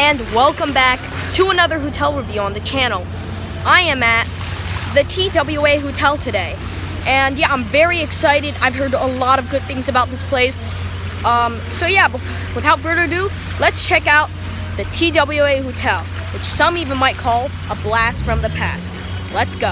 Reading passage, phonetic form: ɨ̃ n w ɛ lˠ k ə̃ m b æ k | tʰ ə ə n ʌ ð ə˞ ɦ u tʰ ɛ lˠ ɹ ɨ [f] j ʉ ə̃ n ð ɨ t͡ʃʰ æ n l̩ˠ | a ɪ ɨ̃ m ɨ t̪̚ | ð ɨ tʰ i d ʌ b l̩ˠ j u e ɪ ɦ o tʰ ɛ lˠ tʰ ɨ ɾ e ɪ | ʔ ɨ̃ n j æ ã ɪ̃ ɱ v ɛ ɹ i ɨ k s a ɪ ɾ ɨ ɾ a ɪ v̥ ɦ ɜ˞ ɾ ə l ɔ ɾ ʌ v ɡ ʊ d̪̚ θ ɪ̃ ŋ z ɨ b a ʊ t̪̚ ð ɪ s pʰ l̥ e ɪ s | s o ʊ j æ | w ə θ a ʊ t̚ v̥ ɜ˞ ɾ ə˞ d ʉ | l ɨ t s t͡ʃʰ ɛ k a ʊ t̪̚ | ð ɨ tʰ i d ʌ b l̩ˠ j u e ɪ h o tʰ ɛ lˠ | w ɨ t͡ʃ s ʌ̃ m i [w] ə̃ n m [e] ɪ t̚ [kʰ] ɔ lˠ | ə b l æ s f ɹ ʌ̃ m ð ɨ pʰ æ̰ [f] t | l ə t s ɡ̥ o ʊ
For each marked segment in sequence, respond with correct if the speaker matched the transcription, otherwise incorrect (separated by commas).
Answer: incorrect, incorrect, incorrect, correct, incorrect